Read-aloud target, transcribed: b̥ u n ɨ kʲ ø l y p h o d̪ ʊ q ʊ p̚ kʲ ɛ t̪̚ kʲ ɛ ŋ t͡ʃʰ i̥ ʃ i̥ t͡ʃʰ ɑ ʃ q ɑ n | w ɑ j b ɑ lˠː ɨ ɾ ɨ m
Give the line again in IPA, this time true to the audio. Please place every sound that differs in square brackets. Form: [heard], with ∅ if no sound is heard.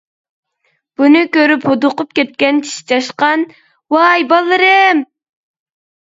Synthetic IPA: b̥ u n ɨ kʲ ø [ɾ] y p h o d̪ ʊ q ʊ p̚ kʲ ɛ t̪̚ kʲ ɛ [n] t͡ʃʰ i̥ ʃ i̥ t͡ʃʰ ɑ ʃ q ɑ n | w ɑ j b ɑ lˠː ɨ ɾ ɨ m